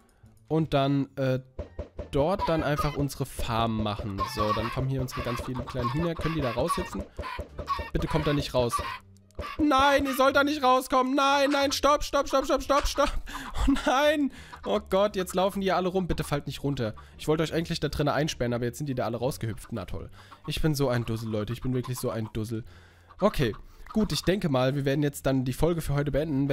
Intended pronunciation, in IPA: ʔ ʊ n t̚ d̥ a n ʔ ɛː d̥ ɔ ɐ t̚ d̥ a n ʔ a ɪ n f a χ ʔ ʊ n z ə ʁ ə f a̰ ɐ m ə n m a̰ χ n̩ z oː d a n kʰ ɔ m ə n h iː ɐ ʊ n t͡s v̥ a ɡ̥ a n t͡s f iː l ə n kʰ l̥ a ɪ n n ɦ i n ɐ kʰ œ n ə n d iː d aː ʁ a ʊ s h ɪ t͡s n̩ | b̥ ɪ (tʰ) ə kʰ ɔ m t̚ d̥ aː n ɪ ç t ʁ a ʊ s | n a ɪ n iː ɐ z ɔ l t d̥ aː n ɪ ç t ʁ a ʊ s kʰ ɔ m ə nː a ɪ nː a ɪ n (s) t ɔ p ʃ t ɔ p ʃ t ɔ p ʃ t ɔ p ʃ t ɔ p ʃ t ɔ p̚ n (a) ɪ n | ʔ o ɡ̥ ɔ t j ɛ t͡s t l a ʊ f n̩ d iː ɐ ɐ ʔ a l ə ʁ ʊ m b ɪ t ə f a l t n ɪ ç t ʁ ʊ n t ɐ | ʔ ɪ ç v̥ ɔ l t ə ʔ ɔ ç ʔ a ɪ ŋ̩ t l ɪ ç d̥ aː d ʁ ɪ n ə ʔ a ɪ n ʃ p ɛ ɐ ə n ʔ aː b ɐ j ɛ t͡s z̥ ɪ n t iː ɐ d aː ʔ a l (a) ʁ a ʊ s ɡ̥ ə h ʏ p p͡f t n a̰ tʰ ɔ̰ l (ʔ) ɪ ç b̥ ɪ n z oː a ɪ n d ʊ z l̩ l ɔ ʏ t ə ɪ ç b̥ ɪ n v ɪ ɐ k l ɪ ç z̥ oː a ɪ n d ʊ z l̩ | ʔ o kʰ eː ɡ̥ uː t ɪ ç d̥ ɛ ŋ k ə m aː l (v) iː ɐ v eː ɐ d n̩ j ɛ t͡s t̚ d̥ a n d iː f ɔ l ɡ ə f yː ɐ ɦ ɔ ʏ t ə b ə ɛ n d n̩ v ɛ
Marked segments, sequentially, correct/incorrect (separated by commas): incorrect, incorrect, correct, incorrect, correct, correct